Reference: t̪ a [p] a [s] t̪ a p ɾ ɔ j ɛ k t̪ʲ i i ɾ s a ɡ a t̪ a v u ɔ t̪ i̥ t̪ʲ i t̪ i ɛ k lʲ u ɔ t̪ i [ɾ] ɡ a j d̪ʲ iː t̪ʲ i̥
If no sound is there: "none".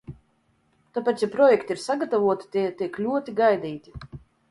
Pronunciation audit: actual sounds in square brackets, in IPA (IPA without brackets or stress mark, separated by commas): p, none, none